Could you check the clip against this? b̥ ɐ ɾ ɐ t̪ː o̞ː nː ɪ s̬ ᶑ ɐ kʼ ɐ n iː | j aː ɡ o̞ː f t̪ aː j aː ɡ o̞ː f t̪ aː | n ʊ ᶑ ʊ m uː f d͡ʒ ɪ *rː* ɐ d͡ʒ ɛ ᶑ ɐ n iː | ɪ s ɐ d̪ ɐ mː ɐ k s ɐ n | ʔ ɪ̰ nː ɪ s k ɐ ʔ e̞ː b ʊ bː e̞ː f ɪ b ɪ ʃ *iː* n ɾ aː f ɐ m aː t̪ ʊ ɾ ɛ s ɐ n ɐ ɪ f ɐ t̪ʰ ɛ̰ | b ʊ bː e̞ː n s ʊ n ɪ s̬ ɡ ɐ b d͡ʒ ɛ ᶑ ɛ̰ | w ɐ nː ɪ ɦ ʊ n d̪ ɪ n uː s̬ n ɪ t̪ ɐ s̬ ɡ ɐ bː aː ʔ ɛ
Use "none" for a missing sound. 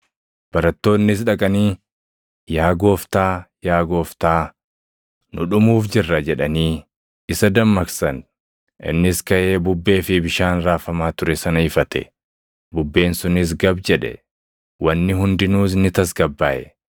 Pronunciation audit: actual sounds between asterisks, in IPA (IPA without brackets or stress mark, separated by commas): rː, aː